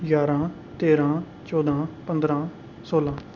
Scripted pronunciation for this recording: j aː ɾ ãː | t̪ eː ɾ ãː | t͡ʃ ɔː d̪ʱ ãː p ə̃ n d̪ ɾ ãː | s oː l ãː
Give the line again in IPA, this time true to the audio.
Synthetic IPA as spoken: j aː ɾ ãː | t̪ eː ɾ ãː | t͡ʃ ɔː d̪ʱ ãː p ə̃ n d̪ ɾ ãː | s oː l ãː